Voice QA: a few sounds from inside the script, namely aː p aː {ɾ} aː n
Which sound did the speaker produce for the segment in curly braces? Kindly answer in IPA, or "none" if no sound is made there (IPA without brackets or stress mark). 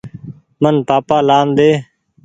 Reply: l